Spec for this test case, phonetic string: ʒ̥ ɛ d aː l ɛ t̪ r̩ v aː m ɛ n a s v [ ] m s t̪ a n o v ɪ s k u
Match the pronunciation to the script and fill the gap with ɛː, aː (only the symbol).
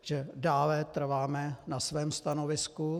ɛː